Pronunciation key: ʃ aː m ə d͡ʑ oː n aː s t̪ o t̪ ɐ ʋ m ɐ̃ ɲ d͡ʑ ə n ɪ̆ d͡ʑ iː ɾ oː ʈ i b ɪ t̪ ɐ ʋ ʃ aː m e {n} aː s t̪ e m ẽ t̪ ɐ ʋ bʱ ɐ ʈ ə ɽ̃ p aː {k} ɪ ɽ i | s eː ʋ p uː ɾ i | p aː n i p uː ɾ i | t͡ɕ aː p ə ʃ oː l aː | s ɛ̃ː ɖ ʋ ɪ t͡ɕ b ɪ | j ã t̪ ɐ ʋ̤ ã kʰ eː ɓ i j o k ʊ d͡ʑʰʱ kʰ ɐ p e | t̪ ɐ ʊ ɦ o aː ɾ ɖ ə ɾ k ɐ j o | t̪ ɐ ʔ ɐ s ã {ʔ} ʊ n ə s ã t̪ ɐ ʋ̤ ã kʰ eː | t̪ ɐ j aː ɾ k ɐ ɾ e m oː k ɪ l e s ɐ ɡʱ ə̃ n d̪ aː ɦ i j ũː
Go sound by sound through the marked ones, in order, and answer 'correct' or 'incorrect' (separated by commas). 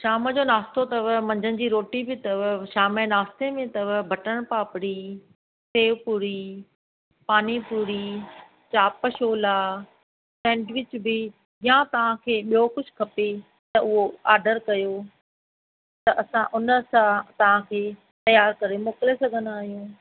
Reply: correct, incorrect, correct